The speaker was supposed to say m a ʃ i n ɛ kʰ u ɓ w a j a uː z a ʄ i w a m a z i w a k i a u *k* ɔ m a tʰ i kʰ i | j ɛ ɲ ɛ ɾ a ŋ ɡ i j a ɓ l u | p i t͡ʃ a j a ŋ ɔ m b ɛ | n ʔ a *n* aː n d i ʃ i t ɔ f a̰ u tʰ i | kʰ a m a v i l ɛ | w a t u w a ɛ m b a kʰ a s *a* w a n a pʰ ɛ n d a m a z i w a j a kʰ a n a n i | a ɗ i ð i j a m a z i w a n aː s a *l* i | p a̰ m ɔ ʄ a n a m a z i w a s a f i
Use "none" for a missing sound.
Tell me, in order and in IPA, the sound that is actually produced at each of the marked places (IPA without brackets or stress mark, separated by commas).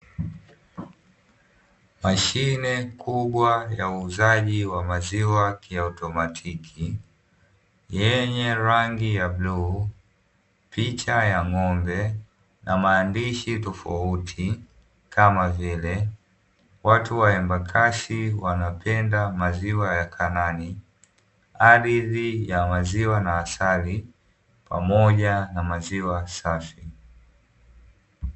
t, m, i, l